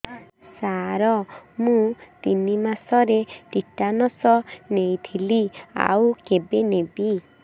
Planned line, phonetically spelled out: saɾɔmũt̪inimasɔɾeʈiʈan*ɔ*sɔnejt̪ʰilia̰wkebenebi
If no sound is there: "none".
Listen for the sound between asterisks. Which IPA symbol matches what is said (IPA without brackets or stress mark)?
ɔ